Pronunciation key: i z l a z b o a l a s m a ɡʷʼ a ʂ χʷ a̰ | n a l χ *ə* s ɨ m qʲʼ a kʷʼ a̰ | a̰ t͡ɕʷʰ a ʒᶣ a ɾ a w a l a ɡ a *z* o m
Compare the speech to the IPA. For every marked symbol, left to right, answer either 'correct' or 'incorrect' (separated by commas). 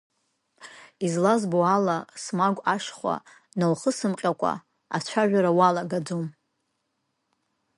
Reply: correct, incorrect